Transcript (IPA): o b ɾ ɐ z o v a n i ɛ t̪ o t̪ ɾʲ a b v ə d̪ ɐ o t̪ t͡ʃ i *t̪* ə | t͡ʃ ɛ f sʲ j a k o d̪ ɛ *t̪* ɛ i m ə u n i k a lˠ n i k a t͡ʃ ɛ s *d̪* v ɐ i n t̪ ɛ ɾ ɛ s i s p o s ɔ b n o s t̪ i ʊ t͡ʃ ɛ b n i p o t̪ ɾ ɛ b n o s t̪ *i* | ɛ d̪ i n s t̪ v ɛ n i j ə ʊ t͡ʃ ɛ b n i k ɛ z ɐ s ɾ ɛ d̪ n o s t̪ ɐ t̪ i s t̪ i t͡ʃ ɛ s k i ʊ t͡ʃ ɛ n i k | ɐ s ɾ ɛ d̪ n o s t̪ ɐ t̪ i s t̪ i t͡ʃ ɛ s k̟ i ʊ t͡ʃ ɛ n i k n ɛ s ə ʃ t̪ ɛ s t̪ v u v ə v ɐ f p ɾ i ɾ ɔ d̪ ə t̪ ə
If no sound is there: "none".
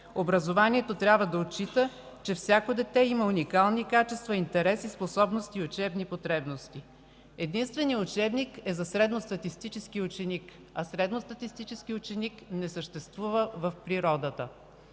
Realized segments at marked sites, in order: t̪, t̪, t̪, i

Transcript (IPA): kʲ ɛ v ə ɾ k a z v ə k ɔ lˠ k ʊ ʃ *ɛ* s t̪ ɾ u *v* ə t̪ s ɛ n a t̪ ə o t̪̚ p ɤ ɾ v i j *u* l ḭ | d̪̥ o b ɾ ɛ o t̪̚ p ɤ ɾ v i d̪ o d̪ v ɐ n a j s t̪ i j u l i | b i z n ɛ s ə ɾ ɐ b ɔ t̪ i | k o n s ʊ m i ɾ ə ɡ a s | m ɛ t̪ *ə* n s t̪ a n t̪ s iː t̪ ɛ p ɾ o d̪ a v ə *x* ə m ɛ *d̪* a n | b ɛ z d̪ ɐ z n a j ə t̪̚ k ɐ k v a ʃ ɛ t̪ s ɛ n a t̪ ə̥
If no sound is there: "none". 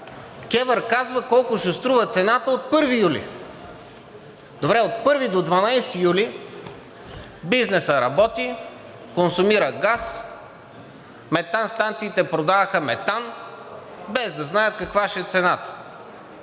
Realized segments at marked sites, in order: ɛ, v, u, a, x, t̪

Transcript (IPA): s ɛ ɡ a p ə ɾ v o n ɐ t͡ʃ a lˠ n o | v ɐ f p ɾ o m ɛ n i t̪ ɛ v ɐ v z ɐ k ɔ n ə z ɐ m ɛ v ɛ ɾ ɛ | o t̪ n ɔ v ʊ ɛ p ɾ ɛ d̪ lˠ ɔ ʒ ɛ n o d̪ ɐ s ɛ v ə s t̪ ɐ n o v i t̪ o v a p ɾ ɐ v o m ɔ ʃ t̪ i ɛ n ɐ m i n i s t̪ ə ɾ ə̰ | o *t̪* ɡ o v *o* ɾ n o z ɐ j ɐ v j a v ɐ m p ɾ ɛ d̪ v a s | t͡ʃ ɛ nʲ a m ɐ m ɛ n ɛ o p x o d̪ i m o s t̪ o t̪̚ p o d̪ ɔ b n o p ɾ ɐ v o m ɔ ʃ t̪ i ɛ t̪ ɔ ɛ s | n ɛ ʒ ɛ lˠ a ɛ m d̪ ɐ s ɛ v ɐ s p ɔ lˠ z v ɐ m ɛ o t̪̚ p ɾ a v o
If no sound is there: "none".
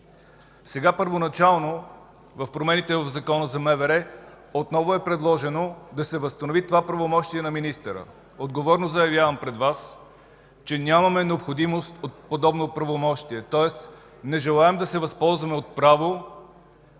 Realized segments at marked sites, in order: d̪, ɔ

